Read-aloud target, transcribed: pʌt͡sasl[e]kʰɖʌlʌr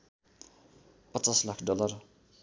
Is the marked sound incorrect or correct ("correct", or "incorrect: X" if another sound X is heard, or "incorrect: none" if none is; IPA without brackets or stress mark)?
incorrect: a